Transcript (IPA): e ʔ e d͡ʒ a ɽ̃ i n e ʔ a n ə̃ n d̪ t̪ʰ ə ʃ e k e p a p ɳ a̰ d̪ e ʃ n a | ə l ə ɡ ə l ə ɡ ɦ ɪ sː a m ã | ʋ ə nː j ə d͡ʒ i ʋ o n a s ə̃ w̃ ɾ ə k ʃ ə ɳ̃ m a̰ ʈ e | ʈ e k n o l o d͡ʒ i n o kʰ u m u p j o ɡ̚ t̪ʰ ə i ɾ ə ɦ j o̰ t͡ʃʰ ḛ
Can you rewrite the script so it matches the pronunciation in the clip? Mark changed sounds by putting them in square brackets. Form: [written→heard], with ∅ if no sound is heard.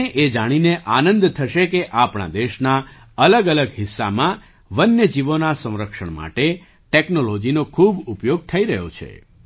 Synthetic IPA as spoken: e ʔ e d͡ʒ a ɽ̃ i n e ʔ a n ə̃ n d̪ t̪ʰ ə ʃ e k e [p→ʔ] a p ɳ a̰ d̪ e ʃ n a | ə l ə ɡ ə l ə ɡ ɦ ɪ sː a m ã | ʋ ə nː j ə d͡ʒ i ʋ o n a s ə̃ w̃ ɾ ə k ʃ ə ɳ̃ m a̰ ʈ e | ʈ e k n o l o d͡ʒ i n o kʰ u [m→b] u p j o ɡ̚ t̪ʰ ə i ɾ ə ɦ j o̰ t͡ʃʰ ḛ